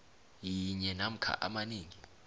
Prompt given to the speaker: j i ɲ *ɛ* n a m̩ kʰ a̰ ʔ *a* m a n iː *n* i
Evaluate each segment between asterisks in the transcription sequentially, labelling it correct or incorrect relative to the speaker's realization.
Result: correct, correct, incorrect

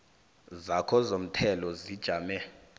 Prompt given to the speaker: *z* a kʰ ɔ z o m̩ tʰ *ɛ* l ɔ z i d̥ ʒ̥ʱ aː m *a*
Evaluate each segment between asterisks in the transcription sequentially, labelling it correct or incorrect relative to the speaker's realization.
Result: correct, correct, incorrect

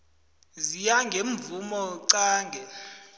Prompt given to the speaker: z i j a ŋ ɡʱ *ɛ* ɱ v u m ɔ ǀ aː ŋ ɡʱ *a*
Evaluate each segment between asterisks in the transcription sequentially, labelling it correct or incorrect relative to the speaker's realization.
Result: incorrect, incorrect

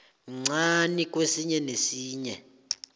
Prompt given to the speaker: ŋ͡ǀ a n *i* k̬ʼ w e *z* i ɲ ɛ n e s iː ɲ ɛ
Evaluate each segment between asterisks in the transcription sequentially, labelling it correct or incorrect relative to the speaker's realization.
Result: correct, incorrect

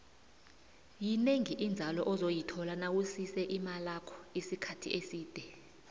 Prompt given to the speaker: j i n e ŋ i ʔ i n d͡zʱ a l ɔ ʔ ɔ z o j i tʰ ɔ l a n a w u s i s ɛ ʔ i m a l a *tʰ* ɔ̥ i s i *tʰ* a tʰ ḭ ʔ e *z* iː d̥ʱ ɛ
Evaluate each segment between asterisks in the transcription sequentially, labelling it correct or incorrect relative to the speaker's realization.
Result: incorrect, incorrect, incorrect

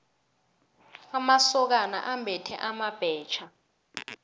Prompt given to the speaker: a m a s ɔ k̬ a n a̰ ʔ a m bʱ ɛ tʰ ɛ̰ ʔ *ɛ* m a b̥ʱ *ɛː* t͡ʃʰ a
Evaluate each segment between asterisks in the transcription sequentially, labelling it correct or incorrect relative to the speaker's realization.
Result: incorrect, correct

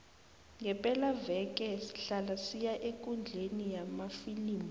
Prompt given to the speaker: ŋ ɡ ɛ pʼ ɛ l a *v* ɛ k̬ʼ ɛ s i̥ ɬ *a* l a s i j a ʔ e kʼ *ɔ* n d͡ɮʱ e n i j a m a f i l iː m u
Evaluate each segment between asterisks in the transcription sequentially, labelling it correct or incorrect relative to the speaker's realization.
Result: correct, correct, incorrect

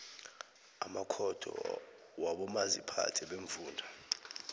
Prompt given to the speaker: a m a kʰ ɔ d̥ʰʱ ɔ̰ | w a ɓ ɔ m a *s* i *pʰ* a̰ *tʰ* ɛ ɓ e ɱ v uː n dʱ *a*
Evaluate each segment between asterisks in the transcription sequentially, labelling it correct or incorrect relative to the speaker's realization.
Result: incorrect, correct, correct, correct

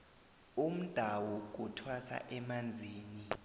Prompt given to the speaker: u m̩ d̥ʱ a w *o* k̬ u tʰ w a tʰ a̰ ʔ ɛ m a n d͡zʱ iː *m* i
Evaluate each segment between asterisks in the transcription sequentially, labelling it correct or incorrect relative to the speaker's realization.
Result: incorrect, incorrect

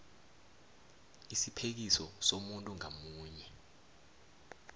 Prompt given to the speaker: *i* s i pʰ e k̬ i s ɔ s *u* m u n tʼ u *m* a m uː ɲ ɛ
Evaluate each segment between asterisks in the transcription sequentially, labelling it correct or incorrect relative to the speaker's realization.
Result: correct, incorrect, incorrect

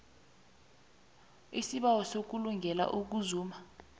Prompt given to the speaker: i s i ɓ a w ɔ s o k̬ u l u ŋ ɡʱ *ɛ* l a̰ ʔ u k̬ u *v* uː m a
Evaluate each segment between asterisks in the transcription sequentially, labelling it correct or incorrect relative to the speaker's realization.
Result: correct, incorrect

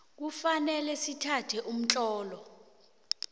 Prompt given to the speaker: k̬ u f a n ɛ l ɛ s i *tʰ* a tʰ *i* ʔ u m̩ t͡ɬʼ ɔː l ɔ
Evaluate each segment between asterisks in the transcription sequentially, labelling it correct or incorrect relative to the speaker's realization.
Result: correct, incorrect

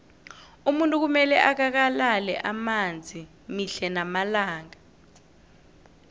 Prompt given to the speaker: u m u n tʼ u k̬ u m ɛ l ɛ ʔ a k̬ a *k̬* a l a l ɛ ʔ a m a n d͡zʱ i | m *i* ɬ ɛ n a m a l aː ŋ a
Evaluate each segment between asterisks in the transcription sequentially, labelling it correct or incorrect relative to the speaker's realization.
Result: correct, correct

